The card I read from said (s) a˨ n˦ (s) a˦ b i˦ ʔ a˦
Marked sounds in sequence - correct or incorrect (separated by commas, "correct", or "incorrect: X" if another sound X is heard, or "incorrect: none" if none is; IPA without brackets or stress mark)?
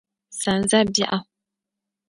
correct, incorrect: z